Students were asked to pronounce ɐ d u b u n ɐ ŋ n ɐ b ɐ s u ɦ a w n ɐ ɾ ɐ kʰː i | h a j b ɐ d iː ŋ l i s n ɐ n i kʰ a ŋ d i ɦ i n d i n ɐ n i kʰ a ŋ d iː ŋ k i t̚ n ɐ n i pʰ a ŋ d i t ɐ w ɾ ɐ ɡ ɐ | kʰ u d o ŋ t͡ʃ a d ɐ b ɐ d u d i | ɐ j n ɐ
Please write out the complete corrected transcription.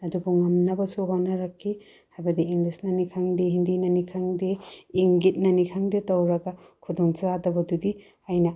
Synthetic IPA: ɐ d u b u ŋ ɐ m n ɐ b ɐ s u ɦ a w n ɐ ɾ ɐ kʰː i | h a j b ɐ d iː ŋ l i s n ɐ n i kʰ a ŋ d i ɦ i n d i n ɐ n i kʰ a ŋ d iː ŋ ɡ i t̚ n ɐ n i kʰ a ŋ d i t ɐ w ɾ ɐ ɡ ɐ | kʰ u d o ŋ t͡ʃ a d ɐ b ɐ d u d i | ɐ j n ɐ